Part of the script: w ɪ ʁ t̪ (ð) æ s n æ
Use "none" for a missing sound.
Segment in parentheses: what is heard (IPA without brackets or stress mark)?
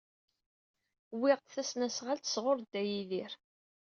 θ